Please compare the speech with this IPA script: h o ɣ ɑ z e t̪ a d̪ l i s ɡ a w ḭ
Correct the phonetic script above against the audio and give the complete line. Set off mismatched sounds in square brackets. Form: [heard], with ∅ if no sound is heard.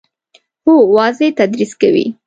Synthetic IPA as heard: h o [w] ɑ z e t̪ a d̪ [ɾ] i s [k] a w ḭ